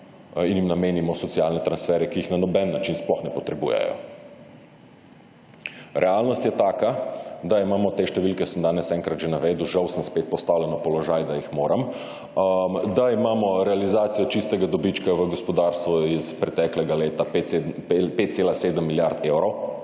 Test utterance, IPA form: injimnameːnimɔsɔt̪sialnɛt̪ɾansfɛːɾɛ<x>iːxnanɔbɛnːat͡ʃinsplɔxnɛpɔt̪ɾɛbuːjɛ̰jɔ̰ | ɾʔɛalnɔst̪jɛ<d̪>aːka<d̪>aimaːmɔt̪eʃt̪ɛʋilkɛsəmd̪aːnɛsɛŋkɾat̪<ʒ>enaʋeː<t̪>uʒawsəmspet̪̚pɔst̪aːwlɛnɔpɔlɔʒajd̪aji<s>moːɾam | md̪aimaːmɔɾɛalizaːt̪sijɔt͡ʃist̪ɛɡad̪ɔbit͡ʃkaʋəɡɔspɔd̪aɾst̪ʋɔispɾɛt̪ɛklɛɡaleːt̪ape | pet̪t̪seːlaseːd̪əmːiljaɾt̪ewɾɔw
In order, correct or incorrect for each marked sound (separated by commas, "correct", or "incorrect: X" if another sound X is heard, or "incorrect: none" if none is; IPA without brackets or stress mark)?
incorrect: k, incorrect: t̪, correct, correct, incorrect: d̪, incorrect: x